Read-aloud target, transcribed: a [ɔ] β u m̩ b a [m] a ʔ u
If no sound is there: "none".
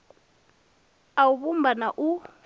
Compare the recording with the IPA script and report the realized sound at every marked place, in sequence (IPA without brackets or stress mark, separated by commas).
u, n